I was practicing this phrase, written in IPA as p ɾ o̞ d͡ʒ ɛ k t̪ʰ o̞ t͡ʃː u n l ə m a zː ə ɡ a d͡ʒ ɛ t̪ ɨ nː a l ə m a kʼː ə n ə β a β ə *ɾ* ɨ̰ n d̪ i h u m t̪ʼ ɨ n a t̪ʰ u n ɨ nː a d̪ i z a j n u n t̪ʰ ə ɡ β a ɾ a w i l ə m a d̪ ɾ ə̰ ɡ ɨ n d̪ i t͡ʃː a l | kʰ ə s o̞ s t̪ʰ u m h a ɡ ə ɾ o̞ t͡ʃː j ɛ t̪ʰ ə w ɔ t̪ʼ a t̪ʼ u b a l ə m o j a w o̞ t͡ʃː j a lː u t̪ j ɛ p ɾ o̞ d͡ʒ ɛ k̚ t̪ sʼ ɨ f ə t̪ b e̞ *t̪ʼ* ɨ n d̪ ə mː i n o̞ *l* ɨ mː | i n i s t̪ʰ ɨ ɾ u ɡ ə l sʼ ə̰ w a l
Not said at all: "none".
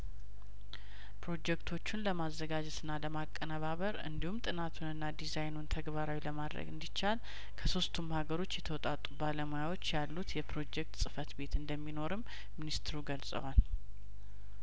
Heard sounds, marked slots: ɾ, t̪, ɾ

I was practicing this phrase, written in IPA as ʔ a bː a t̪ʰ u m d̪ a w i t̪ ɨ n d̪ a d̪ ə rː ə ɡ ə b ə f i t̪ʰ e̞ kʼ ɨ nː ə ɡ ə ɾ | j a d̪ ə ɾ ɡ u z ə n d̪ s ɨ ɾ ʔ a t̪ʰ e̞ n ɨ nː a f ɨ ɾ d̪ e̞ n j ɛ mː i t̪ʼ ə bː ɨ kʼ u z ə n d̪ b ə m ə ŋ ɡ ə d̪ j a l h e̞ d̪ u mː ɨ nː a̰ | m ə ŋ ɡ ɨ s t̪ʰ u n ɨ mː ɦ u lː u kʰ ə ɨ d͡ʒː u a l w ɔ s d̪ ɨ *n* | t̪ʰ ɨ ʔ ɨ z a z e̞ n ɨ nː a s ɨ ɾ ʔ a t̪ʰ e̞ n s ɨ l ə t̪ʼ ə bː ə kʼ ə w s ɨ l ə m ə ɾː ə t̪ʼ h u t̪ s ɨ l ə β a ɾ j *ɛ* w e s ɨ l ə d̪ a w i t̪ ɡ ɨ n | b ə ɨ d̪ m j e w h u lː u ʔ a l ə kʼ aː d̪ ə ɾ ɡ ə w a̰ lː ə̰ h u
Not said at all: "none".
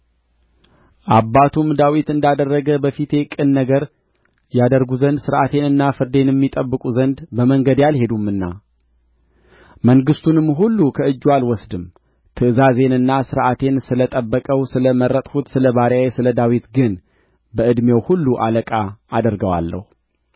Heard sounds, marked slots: m, a

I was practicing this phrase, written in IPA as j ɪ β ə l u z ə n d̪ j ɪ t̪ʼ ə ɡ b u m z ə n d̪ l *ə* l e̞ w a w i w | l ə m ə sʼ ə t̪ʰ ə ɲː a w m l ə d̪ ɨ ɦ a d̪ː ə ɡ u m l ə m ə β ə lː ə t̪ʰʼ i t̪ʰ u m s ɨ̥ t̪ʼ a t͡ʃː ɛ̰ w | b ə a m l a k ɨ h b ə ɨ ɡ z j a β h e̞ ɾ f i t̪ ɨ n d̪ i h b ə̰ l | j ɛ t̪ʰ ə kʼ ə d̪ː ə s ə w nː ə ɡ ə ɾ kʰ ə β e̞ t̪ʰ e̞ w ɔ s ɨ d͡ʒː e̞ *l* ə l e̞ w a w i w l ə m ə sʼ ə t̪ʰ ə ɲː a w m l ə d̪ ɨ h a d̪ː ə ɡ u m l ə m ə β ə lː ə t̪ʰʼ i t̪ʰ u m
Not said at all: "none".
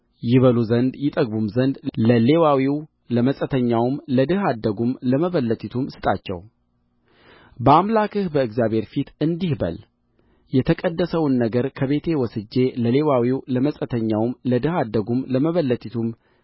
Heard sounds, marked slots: ə, l

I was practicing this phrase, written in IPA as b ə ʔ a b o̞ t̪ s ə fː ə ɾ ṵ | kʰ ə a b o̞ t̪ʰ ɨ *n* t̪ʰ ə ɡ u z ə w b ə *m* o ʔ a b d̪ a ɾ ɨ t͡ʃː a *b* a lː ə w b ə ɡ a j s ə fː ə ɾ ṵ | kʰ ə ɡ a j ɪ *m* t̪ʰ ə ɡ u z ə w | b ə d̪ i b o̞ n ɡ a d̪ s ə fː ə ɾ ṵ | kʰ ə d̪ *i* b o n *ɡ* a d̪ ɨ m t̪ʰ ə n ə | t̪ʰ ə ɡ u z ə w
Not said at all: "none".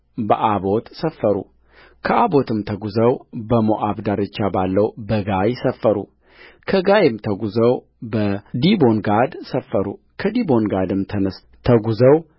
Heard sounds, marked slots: m, m, b, m, i, ɡ

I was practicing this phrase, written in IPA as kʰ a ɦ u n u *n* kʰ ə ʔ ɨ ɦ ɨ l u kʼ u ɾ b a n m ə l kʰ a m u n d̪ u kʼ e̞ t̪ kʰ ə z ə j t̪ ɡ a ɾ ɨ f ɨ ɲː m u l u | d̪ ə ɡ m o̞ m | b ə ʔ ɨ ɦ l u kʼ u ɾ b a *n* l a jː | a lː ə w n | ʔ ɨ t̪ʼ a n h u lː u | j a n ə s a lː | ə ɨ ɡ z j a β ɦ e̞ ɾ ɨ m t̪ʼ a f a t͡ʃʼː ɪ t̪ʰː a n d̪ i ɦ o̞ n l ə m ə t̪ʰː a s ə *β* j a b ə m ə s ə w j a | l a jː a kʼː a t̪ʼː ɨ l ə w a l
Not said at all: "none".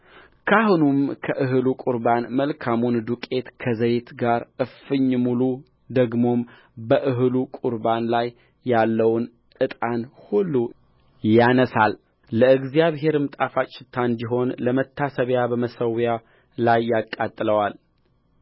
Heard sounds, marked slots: m, n, β

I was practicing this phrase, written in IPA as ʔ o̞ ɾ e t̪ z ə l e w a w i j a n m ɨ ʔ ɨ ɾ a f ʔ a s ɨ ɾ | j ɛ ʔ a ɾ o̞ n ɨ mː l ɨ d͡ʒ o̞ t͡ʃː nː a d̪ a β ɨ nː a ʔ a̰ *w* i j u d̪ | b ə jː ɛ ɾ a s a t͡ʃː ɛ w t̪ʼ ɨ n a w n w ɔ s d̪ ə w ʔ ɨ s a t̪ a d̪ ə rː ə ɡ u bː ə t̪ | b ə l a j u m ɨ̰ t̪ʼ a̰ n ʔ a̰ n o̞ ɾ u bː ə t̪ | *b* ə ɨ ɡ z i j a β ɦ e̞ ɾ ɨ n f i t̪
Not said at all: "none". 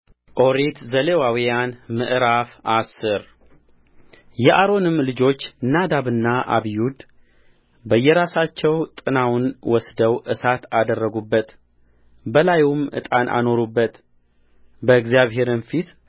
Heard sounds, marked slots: β, b

